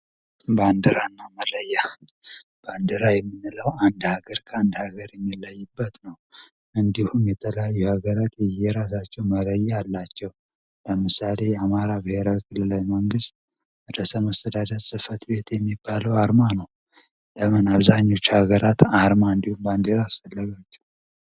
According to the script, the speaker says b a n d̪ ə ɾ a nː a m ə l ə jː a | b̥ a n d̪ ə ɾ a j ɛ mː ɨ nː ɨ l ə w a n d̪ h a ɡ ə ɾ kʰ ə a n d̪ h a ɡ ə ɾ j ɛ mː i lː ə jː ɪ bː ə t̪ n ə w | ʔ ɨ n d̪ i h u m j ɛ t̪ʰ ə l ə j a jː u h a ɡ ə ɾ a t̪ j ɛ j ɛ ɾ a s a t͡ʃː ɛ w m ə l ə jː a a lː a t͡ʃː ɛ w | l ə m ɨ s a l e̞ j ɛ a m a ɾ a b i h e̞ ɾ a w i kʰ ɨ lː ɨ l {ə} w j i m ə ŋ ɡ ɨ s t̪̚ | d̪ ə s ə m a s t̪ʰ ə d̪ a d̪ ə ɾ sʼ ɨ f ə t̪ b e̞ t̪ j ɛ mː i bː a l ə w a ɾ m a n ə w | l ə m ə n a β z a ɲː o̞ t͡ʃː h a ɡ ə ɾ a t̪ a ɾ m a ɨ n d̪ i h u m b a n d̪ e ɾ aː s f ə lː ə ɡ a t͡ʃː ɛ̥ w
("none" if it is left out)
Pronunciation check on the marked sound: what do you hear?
a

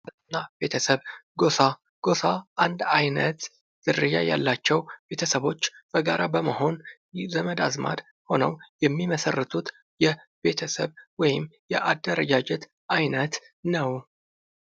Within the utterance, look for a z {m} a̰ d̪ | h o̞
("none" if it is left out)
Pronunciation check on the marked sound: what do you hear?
m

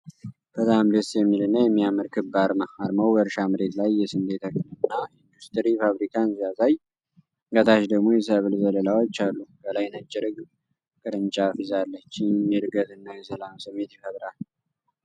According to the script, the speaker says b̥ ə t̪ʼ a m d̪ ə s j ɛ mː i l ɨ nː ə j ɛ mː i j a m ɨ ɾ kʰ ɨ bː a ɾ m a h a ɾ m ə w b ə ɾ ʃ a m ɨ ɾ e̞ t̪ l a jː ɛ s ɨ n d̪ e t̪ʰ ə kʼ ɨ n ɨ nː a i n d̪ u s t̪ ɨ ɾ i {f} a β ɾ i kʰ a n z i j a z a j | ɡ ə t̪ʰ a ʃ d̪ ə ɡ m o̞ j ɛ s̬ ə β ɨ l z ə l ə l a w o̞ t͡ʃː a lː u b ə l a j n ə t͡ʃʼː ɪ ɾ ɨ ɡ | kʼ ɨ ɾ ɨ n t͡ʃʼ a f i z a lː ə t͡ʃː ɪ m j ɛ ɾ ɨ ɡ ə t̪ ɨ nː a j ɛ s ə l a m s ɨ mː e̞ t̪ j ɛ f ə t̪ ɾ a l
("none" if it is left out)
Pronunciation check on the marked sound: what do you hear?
f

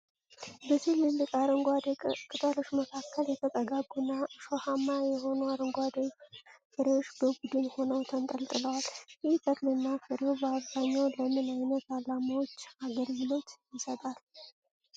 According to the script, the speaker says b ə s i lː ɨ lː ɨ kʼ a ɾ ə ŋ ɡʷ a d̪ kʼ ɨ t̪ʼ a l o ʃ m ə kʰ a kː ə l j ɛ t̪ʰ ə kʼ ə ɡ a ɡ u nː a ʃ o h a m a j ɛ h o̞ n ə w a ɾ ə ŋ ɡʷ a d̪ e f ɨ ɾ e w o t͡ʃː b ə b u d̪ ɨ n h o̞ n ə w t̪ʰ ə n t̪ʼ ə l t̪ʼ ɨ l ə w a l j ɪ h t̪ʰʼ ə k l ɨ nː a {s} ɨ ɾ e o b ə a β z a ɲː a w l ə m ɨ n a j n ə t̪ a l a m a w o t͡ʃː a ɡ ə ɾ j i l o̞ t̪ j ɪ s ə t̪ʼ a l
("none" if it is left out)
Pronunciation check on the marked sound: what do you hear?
f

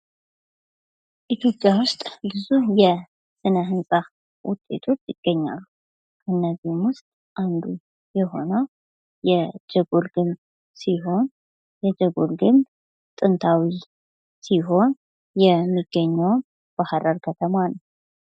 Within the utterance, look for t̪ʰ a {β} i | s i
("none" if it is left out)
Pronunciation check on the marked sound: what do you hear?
w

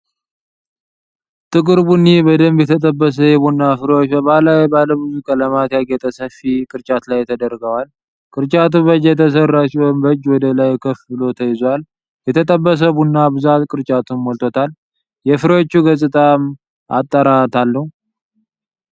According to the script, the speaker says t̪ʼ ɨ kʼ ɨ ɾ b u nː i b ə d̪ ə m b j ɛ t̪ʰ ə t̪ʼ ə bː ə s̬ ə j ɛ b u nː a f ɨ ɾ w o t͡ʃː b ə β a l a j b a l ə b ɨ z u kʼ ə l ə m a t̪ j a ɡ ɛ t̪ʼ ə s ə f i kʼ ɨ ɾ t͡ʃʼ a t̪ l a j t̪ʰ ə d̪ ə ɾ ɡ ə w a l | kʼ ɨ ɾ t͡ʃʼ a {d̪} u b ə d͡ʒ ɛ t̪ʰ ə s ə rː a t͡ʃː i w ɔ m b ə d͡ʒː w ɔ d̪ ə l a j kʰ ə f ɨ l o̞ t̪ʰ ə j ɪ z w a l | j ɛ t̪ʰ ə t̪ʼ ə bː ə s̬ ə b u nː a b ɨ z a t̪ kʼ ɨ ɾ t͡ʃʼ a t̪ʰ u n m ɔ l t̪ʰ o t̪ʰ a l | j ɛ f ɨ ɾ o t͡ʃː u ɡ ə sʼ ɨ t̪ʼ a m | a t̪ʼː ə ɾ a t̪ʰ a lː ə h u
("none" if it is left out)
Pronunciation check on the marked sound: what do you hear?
t̪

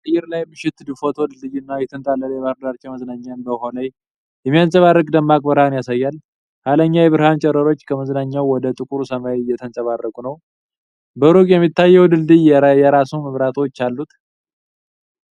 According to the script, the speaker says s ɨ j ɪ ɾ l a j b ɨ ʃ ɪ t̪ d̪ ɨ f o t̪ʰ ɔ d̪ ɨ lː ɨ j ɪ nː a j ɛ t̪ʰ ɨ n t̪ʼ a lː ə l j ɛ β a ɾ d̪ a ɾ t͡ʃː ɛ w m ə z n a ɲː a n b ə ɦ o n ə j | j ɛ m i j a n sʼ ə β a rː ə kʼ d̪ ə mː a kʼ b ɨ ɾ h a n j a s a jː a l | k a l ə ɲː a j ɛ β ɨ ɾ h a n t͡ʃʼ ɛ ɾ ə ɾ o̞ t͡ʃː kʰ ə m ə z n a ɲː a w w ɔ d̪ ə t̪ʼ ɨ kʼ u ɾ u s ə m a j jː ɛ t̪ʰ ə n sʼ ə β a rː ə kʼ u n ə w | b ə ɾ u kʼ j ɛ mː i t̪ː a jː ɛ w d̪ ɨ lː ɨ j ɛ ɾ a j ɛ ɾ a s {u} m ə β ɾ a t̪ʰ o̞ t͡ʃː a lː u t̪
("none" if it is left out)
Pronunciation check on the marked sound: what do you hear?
u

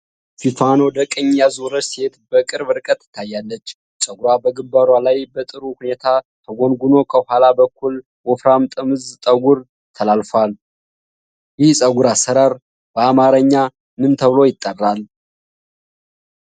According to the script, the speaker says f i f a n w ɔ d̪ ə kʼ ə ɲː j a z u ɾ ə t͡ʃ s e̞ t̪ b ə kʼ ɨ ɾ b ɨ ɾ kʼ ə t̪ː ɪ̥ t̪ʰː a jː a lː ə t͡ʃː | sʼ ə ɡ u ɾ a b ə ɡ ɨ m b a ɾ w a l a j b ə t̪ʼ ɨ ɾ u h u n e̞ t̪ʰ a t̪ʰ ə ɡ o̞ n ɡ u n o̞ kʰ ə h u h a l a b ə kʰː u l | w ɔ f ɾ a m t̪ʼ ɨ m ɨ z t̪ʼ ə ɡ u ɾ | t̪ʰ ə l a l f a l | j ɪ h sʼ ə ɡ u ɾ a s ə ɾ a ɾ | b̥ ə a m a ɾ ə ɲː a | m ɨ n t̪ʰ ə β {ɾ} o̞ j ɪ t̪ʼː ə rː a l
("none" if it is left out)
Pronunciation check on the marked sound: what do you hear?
l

